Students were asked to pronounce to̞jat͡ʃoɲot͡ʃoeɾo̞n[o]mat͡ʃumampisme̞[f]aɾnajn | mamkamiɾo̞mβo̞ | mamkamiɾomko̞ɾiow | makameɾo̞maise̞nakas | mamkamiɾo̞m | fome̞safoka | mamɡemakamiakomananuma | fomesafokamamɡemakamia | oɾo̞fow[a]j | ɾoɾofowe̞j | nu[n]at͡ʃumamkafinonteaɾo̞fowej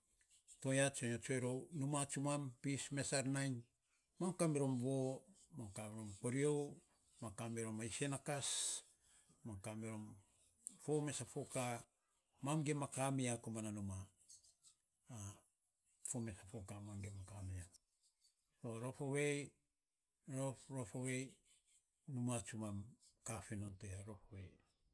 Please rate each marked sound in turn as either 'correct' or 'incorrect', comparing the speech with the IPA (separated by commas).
incorrect, incorrect, incorrect, incorrect